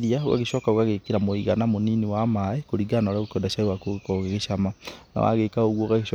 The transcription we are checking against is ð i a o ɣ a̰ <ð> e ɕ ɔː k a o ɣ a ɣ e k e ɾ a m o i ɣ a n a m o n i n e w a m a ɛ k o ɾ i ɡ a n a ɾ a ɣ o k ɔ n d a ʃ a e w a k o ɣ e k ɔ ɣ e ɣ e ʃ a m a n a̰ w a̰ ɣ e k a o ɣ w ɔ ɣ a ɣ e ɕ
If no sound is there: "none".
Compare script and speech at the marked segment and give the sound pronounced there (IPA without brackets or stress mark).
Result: ɣ